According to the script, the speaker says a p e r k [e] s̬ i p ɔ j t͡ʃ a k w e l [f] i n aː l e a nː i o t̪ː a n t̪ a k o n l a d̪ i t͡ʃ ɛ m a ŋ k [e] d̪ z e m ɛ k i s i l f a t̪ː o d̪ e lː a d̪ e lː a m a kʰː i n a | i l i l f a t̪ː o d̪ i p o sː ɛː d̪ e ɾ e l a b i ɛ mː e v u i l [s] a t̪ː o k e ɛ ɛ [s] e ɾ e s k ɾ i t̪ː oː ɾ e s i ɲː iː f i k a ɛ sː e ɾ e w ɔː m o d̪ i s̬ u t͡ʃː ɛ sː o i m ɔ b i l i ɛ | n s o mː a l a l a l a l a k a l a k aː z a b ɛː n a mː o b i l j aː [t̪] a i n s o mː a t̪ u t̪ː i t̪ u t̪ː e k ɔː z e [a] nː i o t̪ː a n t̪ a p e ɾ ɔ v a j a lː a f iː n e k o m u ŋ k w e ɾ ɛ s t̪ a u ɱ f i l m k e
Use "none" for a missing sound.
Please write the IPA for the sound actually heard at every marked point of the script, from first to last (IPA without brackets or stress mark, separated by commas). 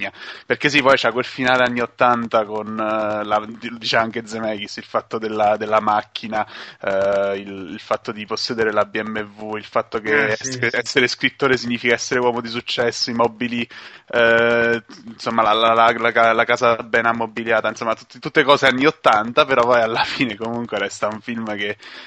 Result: e, f, e, f, sː, t̪, a